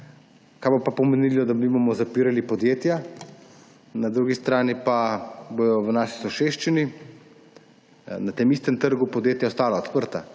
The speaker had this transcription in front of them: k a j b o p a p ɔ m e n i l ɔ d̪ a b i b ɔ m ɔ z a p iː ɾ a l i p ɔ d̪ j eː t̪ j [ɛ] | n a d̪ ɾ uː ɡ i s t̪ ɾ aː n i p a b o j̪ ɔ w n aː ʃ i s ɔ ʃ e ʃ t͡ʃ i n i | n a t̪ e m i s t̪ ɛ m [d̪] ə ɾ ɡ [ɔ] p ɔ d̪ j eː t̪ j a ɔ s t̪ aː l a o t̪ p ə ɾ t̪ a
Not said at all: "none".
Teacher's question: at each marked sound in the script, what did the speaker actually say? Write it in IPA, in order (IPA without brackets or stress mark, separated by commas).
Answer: a, t̪, u